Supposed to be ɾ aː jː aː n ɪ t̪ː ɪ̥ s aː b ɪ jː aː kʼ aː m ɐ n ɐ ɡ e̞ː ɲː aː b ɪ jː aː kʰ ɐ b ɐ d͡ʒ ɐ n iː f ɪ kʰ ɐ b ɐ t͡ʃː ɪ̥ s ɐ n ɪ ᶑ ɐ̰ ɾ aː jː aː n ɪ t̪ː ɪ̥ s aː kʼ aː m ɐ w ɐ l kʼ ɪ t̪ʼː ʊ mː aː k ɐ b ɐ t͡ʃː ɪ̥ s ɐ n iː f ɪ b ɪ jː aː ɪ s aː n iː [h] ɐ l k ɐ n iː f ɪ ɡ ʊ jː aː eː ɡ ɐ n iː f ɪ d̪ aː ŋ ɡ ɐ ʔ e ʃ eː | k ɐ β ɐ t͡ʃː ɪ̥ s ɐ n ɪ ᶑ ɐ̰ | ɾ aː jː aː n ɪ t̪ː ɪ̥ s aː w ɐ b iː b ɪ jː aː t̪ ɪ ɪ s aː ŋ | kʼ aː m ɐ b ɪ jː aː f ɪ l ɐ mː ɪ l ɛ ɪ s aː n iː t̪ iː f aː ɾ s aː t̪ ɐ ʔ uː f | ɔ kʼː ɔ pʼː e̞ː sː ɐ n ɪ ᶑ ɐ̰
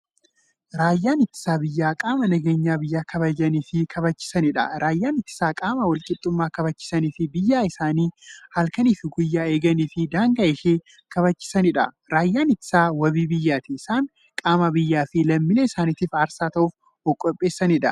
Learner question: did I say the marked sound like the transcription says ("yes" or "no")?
yes